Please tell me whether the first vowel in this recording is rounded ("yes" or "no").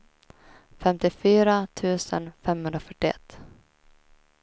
no